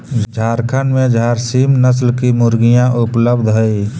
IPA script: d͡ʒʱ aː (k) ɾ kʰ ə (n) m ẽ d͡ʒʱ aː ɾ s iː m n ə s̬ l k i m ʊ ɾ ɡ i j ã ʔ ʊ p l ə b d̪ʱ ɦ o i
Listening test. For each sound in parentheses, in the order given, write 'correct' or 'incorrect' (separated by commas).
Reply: incorrect, correct